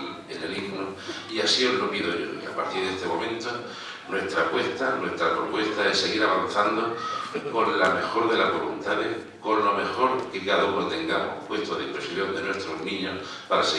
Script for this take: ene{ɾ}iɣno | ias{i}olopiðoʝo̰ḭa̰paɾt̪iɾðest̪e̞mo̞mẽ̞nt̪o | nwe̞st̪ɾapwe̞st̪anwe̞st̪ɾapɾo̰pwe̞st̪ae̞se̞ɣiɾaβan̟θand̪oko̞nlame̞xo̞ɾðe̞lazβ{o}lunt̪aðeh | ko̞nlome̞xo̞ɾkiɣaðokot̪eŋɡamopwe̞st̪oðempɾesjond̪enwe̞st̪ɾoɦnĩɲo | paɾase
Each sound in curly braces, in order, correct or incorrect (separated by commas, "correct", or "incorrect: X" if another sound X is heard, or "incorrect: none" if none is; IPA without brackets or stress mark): incorrect: l, correct, correct